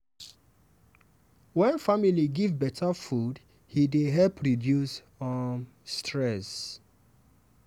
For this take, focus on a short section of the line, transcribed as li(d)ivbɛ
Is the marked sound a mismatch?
yes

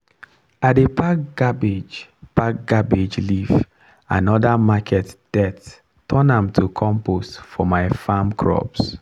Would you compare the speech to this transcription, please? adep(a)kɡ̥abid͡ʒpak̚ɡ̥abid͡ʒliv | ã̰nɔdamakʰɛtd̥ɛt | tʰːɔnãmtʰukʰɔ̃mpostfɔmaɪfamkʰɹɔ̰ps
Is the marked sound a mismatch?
no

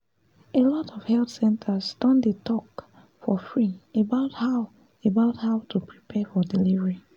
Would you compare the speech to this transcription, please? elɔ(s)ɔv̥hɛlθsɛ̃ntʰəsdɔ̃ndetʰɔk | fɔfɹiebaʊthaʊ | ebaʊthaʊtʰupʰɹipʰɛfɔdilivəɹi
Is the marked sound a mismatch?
yes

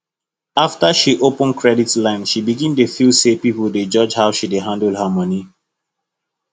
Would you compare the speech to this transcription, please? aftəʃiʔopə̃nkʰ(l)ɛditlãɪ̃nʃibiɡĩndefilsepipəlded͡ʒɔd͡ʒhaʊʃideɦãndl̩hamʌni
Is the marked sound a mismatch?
yes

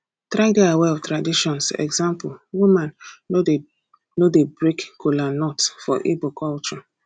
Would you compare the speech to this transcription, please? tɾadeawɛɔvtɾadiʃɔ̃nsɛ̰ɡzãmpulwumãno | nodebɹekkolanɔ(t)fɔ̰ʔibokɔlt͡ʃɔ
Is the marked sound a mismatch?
no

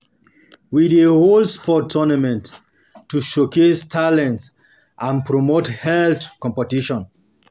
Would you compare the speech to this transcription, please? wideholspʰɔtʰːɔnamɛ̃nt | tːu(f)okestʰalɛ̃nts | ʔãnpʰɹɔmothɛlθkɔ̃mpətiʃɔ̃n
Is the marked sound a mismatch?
yes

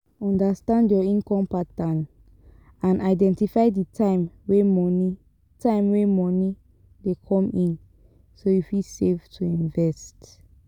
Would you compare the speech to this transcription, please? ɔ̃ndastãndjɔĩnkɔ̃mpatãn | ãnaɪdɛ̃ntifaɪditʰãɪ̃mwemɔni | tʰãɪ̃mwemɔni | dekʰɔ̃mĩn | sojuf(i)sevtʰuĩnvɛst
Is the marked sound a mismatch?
no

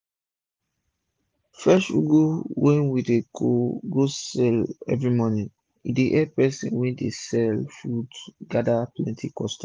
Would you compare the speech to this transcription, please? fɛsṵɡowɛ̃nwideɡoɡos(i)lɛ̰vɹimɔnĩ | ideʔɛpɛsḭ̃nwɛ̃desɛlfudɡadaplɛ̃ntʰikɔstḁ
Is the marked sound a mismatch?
yes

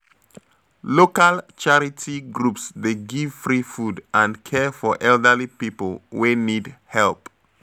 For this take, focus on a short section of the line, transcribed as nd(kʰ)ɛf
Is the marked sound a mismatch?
no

